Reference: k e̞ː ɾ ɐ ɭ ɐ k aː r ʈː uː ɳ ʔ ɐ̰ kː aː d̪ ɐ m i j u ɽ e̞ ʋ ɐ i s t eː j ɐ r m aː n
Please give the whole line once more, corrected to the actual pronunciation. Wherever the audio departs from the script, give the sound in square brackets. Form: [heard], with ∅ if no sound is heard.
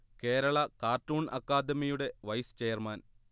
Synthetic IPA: k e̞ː ɾ ɐ ɭ ɐ k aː r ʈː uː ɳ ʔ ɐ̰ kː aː d̪ ɐ m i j u ɽ e̞ ʋ ɐ [j] s [t͡ɕ] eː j ɐ r m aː n